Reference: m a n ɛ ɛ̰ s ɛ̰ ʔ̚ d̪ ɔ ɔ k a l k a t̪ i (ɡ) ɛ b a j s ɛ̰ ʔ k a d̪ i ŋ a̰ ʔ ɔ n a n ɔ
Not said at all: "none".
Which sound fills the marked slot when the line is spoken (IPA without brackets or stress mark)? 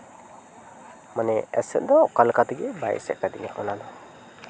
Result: ɡ